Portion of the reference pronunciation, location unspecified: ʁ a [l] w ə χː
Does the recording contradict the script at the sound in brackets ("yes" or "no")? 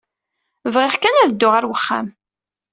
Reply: yes